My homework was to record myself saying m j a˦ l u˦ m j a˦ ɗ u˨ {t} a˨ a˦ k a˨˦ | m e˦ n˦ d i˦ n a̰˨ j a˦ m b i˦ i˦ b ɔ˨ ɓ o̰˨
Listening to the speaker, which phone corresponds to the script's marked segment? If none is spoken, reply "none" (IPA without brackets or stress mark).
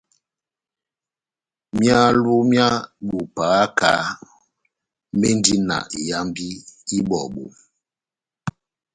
p